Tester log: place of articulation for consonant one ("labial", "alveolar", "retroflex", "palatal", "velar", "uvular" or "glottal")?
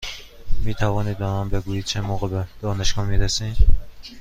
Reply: labial